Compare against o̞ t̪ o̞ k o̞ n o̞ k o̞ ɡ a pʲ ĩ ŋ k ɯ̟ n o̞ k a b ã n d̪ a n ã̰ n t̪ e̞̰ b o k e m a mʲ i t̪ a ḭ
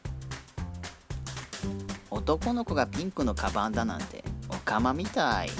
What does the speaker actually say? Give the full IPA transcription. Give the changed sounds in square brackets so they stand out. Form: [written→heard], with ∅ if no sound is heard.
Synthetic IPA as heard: o̞ t̪ o̞ k o̞ n o̞ k o̞ ɡ a pʲ ĩ ŋ k ɯ̟ n o̞ k a b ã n d̪ a n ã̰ n t̪ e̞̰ [b→∅] o k [e→a] m a mʲ i t̪ a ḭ

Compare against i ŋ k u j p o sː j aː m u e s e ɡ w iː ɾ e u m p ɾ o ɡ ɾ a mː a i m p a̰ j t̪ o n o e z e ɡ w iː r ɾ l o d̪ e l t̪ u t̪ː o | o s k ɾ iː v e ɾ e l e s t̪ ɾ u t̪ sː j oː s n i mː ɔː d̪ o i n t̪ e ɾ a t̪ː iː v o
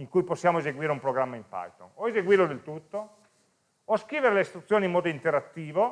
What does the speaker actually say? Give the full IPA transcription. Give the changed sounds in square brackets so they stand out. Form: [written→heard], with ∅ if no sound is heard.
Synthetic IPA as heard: i ŋ k u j p o sː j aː m [u→o] e [s→z] e ɡ w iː ɾ e u m p ɾ o ɡ ɾ a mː a i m p a̰ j t̪ o n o e z e ɡ w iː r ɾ l o d̪ e l t̪ u t̪ː o | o s k ɾ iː v e ɾ e l e s t̪ ɾ u t̪ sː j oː [s→∅] n i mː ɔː d̪ o i n t̪ e ɾ a t̪ː iː v o

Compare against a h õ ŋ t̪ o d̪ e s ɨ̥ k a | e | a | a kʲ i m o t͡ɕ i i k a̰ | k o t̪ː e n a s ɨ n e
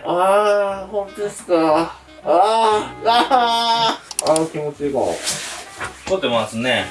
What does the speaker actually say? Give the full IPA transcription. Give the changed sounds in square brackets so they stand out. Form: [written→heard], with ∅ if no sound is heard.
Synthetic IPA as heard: a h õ [ŋ→n] t̪ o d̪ e s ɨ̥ k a | [e→a] | a | a kʲ i m o t͡ɕ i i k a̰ | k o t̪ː e [n→m] a s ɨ n e

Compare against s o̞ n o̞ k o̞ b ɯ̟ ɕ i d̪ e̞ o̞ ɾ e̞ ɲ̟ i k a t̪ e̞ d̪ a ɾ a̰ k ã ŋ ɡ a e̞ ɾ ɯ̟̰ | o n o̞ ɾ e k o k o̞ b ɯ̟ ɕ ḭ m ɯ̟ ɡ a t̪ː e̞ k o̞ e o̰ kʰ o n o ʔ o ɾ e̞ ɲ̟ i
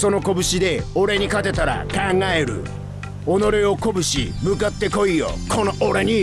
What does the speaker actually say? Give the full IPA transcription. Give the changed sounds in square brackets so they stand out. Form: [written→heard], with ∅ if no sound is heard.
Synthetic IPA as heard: s o̞ n o̞ k o̞ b ɯ̟ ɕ i d̪ e̞ o̞ ɾ e̞ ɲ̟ i k a t̪ e̞ [d̪→t̪] a ɾ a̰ k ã ŋ ɡ a e̞ ɾ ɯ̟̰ | o n o̞ ɾ e [k→∅] o k o̞ b ɯ̟ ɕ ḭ m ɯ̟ [ɡ→k] a t̪ː e̞ k o̞ [e→i] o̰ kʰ o n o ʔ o ɾ e̞ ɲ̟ i

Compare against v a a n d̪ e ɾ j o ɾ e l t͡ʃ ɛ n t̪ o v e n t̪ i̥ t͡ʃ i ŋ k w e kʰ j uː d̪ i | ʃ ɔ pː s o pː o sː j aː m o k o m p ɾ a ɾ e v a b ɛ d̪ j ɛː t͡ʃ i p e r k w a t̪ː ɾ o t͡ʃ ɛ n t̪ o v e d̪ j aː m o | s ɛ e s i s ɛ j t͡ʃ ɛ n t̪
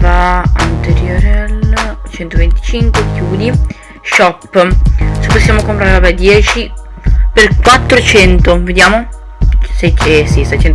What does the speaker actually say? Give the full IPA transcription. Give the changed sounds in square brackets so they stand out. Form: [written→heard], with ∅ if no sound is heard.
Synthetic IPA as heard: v a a n [d̪→t̪] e ɾ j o ɾ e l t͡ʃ ɛ n t̪ o v e n t̪ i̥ t͡ʃ i ŋ k w e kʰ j uː d̪ i | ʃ ɔ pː s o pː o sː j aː m o k o m p ɾ a ɾ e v a b ɛ d̪ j ɛː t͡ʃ i p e r k w a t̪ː ɾ o t͡ʃ ɛ n t̪ o v e d̪ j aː m o | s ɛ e s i s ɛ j t͡ʃ ɛ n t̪

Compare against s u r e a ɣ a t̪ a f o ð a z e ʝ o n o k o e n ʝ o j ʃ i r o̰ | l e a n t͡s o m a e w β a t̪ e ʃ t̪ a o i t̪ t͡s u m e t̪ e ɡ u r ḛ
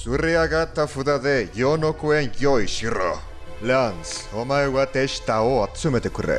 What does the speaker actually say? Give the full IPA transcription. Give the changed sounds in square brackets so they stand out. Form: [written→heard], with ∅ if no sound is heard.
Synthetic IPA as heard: s u r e a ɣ a t̪ a f [o→u] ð a [z→ð] e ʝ o n o k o e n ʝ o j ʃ i r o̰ | l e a n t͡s o m a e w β a t̪ e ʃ t̪ a o [i→a] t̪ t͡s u m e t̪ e [ɡ→k] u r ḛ

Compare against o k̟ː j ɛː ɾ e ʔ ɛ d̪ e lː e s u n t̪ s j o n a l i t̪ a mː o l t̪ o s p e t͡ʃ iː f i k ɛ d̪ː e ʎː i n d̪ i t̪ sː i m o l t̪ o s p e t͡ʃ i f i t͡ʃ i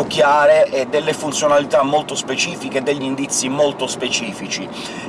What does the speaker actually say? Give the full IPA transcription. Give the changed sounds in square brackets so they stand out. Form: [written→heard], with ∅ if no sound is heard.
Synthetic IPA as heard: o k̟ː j [ɛː→aː] ɾ e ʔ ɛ d̪ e lː e [s→f] u n t̪ s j o n a l i t̪ a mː o l t̪ o s p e t͡ʃ iː f i k [ɛ→e] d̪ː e ʎː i n d̪ i t̪ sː i m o l t̪ o s p e t͡ʃ [i→iː] f i t͡ʃ i

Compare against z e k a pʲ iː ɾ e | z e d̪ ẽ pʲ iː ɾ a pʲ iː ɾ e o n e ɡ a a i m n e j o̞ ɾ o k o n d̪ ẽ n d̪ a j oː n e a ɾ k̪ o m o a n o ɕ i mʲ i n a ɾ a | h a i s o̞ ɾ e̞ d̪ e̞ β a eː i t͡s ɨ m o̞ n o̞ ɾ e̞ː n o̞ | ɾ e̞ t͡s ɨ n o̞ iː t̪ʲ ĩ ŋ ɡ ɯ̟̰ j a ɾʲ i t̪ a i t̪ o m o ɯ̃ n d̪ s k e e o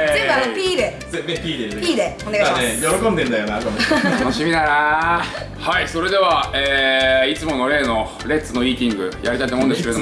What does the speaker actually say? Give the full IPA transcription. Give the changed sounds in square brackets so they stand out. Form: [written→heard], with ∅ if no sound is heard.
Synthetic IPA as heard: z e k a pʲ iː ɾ e | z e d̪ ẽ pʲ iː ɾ [a→e] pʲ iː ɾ e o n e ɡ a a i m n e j o̞ ɾ o k o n d̪ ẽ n d̪ a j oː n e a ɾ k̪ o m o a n o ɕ i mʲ i n a ɾ a | h a i s o̞ ɾ e̞ d̪ e̞ β a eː i t͡s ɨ m o̞ n o̞ ɾ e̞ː n o̞ | ɾ e̞ t͡s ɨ n o̞ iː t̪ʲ ĩ ŋ ɡ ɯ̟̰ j a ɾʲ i t̪ a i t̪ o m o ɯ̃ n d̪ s k e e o

